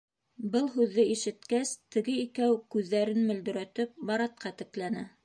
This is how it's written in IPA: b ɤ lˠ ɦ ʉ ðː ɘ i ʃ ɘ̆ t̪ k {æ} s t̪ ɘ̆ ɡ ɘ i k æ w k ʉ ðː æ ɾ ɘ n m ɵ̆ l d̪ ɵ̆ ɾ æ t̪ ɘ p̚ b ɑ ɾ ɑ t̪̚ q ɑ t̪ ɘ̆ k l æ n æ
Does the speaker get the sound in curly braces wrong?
no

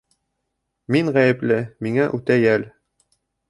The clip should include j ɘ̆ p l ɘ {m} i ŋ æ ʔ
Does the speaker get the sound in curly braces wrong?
no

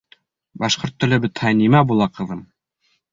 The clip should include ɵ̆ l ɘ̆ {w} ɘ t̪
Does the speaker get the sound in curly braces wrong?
yes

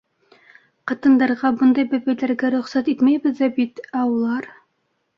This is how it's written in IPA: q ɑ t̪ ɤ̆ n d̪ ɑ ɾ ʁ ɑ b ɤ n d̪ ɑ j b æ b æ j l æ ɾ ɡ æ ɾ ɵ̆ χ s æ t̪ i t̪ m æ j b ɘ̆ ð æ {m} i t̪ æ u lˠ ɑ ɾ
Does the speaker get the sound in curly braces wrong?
yes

